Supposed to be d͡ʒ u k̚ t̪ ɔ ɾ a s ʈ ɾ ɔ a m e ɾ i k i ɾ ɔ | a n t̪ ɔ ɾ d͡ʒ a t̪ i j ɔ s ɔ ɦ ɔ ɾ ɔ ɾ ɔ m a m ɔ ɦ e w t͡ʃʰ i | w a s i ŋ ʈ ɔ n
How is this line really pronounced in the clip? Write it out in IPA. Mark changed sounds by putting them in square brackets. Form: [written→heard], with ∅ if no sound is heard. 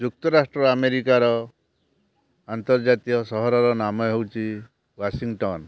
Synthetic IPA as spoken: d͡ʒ u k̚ t̪ ɔ ɾ a s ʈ ɾ ɔ a m e ɾ i k [i→a] ɾ ɔ | a n t̪ ɔ ɾ d͡ʒ a t̪ i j ɔ s ɔ ɦ ɔ ɾ ɔ ɾ ɔ [m→n] a m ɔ ɦ e w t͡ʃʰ i | w a s i ŋ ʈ ɔ n